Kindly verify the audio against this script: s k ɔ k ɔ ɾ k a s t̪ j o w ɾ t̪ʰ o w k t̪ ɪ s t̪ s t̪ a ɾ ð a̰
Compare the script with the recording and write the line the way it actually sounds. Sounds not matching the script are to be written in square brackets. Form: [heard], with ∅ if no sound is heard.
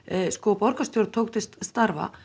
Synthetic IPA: s k ɔ [p] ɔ ɾ k a s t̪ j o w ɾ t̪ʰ o w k t̪ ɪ s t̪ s t̪ a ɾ [v] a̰